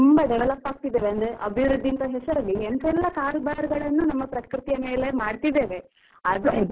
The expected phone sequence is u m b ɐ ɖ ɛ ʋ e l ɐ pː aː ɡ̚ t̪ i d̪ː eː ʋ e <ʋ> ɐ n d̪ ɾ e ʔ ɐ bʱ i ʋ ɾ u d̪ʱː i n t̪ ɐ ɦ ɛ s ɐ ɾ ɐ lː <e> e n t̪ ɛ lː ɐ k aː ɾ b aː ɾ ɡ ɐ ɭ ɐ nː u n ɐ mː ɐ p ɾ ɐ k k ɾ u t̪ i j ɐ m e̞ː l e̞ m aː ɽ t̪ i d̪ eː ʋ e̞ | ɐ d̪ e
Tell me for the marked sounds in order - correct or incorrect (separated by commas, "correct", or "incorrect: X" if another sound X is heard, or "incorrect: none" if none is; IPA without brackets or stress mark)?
incorrect: none, incorrect: i